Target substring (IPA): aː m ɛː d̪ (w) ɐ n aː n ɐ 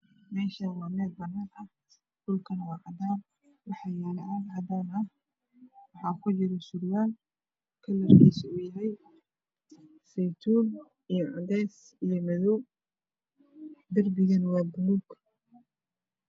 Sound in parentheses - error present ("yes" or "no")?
yes